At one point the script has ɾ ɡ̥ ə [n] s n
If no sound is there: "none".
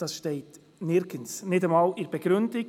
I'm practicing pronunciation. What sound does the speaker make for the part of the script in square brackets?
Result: n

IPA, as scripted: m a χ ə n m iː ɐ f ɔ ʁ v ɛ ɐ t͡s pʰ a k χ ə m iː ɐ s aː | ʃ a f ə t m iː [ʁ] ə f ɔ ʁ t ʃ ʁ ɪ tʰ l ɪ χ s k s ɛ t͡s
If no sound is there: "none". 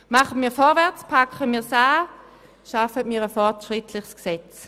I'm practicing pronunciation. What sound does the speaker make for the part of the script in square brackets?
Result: ʁ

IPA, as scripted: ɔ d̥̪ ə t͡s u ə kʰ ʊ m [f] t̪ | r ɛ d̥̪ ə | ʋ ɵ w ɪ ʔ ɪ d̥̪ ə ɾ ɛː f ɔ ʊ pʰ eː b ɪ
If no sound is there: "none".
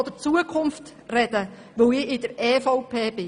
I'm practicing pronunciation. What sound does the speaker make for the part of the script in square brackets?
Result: f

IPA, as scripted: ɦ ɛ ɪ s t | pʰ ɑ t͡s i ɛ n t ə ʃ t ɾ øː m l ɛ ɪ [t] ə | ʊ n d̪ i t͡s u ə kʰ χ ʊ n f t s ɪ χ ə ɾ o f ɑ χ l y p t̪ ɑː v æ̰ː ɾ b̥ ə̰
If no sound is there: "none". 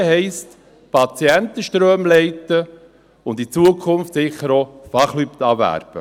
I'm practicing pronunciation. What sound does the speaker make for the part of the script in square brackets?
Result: t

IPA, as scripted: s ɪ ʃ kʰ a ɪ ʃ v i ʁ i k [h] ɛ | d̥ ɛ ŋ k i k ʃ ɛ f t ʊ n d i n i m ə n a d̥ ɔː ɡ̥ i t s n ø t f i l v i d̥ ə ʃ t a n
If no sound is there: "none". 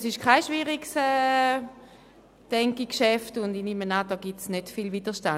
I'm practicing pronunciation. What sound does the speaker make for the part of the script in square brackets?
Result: s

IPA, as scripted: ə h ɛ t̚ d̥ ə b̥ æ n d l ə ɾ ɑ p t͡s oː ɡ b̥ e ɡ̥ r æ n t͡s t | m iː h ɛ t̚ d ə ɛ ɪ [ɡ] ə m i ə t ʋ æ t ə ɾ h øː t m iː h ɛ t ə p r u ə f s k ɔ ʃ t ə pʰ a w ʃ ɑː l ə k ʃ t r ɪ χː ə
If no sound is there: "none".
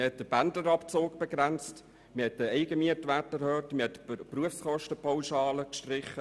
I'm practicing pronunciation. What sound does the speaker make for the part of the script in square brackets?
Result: ɡ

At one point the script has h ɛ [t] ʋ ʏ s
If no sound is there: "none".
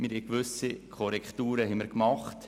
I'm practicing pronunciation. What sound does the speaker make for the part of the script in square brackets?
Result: k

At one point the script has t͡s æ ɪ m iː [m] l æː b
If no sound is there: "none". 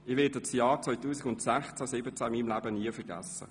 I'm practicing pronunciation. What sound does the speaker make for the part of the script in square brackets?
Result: m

